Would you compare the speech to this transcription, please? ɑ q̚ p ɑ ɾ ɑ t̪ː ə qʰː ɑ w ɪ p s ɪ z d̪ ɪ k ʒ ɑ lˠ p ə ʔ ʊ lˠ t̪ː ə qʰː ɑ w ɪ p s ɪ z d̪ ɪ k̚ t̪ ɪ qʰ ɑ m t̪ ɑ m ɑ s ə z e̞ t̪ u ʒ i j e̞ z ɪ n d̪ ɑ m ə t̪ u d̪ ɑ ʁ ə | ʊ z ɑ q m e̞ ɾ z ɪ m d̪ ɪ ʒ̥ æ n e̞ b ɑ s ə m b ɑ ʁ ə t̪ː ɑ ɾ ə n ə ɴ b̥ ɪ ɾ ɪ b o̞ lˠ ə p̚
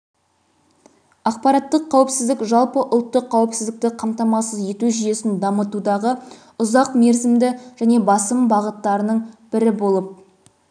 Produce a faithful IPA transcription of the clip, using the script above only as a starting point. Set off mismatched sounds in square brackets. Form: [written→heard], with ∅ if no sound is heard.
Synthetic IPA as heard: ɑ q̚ p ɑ ɾ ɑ t̪ː ə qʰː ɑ w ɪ p s ɪ z d̪ ɪ k ʒ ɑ lˠ p ə ʔ ʊ lˠ t̪ː ə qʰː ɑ w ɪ p s ɪ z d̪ ɪ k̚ t̪ ɪ qʰ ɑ m t̪ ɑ m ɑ s ə z e̞ t̪ u ʒ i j e̞ [z→s] ɪ n d̪ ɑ m ə t̪ u d̪ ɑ ʁ ə | ʊ z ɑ q m e̞ ɾ z ɪ m d̪ ɪ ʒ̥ æ n e̞ b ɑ s ə m b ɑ ʁ ə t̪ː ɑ ɾ ə n ə ɴ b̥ ɪ ɾ ɪ b o̞ lˠ ə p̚